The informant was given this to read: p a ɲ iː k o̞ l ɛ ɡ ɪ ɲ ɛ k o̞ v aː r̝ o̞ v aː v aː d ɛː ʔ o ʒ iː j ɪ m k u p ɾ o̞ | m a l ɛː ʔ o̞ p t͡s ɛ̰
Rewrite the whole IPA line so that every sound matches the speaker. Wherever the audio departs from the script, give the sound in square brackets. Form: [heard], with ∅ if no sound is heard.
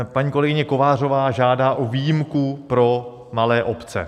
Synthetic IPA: p a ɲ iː k o̞ l ɛ ɡ ɪ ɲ ɛ k o̞ v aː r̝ o̞ v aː [ʒ] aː d [aː] ʔ o [v] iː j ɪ m k u p ɾ o̞ | m a l ɛː ʔ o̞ p t͡s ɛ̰